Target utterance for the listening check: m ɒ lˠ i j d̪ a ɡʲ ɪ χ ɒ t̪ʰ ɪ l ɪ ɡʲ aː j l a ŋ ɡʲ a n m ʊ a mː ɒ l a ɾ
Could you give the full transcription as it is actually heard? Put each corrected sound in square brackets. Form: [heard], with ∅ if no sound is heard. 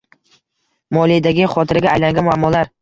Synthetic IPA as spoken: m ɒ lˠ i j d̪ a ɡʲ ɪ χ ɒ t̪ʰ ɪ [ɾ] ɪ ɡʲ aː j l a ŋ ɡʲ a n m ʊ a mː ɒ l a ɾ